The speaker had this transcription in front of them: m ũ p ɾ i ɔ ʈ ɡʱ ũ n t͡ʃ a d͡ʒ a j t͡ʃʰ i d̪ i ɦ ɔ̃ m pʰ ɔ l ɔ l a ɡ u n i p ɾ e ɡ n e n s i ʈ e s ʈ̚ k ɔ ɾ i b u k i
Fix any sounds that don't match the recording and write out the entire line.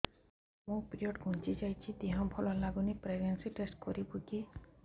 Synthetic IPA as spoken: m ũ p ɾ i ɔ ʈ ɡʱ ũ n t͡ʃ i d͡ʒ a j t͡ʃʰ i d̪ i ɦ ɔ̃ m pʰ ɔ l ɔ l a ɡ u n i p ɾ e ɡ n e n s i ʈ e s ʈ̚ k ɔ ɾ i b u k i